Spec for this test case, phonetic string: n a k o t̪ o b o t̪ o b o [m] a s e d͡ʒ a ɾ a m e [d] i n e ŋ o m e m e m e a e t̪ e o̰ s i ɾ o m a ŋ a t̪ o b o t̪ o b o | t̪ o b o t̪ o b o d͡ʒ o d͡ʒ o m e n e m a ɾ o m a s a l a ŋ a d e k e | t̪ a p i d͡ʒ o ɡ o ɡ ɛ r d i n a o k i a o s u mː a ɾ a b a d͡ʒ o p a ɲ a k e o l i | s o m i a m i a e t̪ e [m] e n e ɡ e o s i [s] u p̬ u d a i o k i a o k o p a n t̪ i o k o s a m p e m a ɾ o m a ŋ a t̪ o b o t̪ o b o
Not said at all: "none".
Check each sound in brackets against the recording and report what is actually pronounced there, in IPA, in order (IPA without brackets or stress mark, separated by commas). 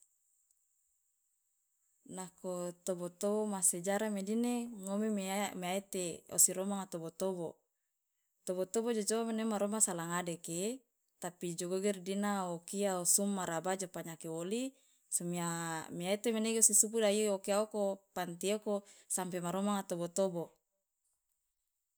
m, d, m, s